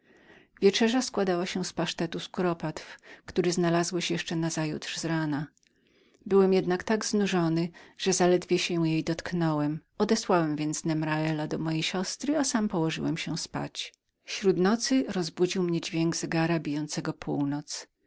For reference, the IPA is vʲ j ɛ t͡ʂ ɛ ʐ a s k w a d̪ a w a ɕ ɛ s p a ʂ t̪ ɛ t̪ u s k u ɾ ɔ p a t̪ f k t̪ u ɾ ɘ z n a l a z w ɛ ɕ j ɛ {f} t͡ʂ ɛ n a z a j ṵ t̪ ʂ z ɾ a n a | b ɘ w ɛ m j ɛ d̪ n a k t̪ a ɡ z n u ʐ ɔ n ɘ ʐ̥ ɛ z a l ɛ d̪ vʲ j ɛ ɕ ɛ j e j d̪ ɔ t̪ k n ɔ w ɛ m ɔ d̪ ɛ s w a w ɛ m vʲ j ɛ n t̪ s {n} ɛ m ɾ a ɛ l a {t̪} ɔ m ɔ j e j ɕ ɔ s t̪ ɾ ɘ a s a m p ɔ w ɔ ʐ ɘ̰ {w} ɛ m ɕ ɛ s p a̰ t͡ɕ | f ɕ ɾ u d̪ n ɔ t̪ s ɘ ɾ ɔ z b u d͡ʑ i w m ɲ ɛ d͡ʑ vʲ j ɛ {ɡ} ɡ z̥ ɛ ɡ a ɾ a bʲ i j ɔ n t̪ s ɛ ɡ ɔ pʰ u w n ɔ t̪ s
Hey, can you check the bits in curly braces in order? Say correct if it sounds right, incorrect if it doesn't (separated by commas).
incorrect, correct, incorrect, correct, incorrect